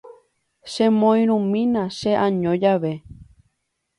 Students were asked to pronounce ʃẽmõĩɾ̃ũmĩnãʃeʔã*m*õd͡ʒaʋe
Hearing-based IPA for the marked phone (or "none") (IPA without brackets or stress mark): ɲ